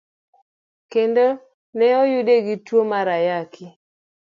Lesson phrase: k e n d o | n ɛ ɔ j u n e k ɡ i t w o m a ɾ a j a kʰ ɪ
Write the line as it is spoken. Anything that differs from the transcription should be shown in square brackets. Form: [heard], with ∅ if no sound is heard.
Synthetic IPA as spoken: k e n d o | n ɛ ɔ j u [d] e [∅] ɡ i t w o m a ɾ a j a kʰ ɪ

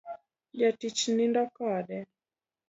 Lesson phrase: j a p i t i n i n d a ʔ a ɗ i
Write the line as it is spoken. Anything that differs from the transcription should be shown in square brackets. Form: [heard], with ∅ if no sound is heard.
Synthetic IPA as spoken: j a [t] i [t͡ʃ] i n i n d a [k] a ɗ [ɛ]

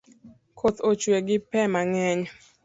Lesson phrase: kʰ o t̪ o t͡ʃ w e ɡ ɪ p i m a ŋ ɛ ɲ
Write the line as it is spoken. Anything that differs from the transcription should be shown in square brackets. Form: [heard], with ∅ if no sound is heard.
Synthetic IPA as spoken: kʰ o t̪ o t͡ʃ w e ɡ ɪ p [ɛ] m a ŋ ɛ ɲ

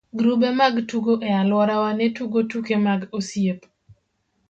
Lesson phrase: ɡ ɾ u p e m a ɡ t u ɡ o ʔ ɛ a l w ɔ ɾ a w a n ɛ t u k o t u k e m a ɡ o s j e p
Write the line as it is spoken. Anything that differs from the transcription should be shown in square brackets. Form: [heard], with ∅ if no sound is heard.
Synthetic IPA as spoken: ɡ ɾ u [b] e m a ɡ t u ɡ o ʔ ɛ a l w ɔ ɾ a w a n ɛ t u [ɡ] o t u k e m a ɡ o s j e p

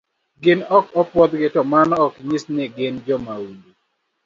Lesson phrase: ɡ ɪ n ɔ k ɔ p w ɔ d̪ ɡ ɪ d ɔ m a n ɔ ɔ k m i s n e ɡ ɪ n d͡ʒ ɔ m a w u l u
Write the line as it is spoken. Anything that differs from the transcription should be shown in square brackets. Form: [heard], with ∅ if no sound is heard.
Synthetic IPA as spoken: ɡ ɪ n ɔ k ɔ p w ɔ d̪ ɡ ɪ [t] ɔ m a n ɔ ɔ k [ɲ] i s n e ɡ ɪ n d͡ʒ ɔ m a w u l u

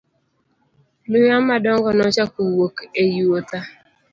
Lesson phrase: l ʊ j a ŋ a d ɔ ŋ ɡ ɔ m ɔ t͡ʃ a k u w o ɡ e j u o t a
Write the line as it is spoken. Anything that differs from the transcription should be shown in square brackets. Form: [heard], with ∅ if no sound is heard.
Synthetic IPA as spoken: l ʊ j a [m] a d ɔ ŋ ɡ ɔ [n] ɔ t͡ʃ a k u w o [k] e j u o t a

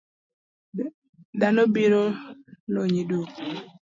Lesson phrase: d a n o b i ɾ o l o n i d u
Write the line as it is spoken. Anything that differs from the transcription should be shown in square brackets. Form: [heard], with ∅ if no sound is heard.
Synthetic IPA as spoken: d a n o b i ɾ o l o [ɲ] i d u

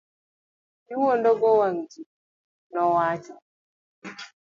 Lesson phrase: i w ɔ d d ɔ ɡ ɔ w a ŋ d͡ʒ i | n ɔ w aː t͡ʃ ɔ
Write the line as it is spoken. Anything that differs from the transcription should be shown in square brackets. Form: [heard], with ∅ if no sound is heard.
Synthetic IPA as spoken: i w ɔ [n] d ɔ ɡ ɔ w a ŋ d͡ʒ i | n ɔ w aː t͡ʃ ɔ

